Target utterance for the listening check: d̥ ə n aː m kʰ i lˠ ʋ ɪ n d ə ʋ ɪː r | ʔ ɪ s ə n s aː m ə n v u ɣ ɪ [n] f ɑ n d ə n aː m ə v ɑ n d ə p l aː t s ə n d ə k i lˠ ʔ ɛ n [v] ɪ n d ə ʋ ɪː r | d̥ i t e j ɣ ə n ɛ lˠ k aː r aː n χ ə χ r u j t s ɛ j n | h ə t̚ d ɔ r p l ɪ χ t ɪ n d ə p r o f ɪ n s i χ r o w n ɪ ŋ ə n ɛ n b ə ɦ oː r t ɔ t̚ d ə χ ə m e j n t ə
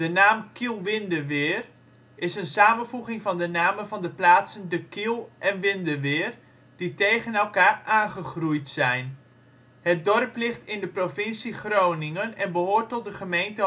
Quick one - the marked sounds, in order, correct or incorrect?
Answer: incorrect: ŋ, incorrect: ʋ

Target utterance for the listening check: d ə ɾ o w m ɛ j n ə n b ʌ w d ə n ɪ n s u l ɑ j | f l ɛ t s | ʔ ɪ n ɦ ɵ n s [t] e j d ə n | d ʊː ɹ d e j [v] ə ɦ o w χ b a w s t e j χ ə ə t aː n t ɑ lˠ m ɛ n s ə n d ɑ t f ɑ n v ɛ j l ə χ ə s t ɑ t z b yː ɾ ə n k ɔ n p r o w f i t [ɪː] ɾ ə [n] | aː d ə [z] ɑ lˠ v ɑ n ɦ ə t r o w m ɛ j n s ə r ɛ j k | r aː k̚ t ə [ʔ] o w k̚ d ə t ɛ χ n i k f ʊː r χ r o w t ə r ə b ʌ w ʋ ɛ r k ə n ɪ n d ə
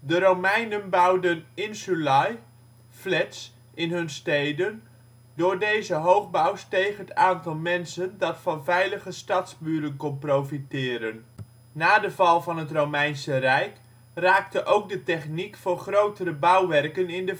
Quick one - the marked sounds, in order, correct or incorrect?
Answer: correct, incorrect: z, correct, incorrect: nː, incorrect: v, correct

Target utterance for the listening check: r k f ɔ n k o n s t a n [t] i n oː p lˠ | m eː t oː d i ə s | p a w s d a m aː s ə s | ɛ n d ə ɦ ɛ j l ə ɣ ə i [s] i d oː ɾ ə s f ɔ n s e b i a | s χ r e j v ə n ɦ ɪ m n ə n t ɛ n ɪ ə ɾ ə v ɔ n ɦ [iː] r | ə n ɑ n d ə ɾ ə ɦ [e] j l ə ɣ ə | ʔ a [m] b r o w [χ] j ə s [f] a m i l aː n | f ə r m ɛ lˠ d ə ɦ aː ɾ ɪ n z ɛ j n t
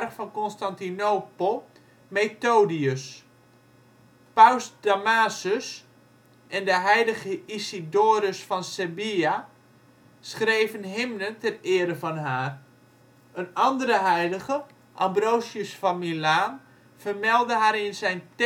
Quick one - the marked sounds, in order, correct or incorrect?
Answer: correct, correct, incorrect: aː, incorrect: ɛ, correct, incorrect: s, correct

